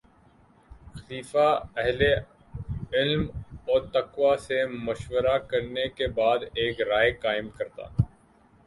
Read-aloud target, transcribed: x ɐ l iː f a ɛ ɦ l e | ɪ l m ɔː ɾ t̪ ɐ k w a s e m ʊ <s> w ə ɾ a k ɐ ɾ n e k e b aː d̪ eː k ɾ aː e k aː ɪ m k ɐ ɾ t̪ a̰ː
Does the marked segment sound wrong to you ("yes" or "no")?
yes